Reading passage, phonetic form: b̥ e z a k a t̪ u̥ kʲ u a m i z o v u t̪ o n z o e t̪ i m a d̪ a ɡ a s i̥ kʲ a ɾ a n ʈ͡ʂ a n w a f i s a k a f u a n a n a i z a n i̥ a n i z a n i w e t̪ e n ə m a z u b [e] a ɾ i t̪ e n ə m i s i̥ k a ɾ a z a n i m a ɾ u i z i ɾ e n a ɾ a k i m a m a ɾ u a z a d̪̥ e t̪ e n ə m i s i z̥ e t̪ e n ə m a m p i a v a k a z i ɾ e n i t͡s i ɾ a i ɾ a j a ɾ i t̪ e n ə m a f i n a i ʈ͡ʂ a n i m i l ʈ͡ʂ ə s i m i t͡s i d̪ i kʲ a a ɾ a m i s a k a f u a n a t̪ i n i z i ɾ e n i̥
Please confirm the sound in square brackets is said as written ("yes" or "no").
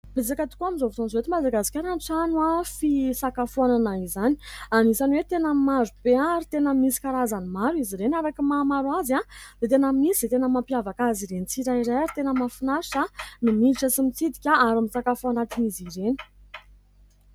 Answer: yes